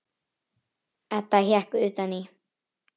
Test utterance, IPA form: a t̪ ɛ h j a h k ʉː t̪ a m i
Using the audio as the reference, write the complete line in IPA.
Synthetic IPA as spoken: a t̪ a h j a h k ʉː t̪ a n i